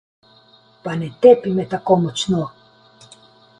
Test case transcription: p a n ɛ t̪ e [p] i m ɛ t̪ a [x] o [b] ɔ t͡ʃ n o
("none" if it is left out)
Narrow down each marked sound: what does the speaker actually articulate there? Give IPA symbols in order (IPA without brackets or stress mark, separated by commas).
p, k, m